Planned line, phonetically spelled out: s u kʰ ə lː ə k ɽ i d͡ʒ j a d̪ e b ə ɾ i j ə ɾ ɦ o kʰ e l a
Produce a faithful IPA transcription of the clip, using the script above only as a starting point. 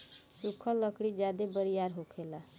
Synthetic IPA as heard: s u kʰ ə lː ə k ɽ i d͡ʒ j a d̪ e b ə ɾ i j a ɾ ɦ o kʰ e l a